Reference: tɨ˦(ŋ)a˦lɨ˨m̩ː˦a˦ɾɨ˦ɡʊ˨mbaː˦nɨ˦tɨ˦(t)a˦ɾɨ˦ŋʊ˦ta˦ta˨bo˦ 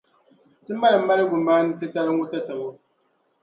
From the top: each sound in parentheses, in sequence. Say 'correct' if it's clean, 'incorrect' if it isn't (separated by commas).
incorrect, correct